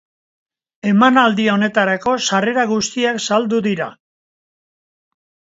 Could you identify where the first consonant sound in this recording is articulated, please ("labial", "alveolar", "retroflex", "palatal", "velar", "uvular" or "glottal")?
labial